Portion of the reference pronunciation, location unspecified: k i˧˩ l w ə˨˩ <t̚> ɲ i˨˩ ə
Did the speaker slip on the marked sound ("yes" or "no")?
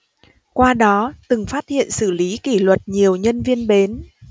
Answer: no